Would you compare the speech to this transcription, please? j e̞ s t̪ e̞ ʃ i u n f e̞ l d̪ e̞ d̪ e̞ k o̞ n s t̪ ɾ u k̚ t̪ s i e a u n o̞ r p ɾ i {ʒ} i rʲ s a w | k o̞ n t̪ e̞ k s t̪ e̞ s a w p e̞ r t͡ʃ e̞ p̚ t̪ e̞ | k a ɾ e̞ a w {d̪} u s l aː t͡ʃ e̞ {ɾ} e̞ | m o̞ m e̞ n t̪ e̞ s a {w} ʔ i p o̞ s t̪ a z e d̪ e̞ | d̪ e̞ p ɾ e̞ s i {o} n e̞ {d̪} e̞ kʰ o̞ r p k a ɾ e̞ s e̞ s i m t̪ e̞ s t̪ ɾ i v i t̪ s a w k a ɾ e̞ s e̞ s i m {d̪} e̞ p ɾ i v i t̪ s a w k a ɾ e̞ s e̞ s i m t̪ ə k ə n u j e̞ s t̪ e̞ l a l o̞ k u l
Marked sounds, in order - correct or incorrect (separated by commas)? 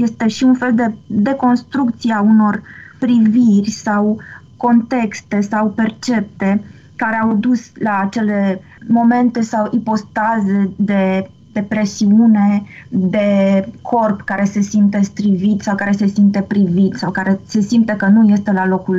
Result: incorrect, correct, incorrect, correct, incorrect, correct, incorrect